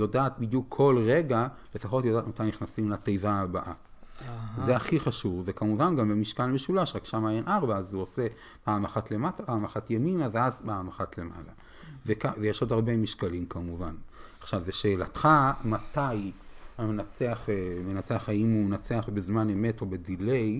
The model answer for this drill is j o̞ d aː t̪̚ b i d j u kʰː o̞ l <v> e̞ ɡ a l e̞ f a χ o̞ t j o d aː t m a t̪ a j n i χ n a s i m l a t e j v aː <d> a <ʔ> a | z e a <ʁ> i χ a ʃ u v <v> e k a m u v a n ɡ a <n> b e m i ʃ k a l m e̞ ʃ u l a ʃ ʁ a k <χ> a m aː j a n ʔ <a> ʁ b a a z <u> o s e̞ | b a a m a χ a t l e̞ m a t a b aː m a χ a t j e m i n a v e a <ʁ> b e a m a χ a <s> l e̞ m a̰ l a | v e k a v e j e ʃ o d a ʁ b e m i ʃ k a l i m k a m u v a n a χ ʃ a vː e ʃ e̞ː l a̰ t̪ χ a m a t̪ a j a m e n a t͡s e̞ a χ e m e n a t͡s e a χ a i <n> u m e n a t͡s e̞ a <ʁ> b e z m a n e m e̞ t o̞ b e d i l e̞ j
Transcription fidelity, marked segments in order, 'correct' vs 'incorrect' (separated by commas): incorrect, incorrect, correct, incorrect, correct, incorrect, incorrect, correct, correct, incorrect, incorrect, incorrect, incorrect